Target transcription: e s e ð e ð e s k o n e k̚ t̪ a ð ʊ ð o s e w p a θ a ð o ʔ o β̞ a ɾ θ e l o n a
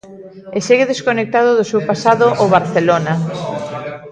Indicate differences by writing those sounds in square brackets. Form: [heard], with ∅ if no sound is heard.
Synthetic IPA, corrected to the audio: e s e [ɣ] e ð e s k o n e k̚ t̪ a ð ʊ ð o s e w p a [s] a ð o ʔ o β̞ a ɾ θ e l o n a